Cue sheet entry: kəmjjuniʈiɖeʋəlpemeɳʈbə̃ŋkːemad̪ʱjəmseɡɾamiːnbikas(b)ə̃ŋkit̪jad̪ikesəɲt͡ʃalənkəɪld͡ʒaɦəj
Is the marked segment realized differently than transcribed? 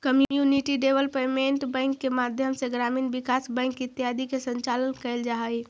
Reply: no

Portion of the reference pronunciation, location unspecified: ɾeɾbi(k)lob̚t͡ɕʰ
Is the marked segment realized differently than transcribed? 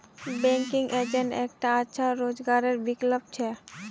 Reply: no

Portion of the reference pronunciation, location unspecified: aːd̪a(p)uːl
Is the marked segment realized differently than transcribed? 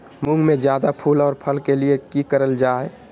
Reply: yes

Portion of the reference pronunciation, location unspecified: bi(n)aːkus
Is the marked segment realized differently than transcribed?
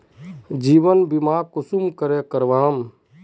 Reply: yes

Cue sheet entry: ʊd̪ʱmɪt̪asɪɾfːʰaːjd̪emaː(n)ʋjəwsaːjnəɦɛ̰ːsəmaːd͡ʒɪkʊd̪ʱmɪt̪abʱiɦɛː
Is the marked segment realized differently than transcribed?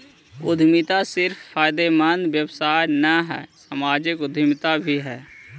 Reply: no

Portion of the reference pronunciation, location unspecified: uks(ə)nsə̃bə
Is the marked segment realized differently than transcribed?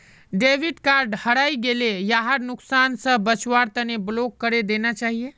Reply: yes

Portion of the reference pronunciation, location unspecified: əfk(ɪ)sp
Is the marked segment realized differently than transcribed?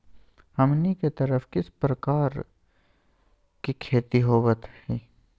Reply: no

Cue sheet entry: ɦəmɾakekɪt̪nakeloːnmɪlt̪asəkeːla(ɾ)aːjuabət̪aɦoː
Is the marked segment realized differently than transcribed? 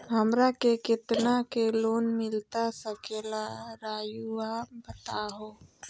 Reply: no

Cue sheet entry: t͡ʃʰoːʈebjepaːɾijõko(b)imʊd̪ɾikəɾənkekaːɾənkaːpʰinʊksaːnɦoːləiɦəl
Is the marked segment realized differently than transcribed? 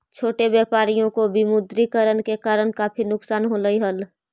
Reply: no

